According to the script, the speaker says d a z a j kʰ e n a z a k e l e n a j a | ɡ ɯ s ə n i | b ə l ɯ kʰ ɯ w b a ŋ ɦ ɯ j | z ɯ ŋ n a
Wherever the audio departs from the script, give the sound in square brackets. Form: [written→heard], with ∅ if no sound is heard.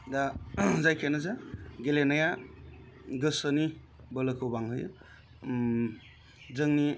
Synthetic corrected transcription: d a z a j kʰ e n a z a [k→ɡ] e l e n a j a | ɡ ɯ s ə n i | b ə l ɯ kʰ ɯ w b a ŋ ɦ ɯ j | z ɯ ŋ n [a→i]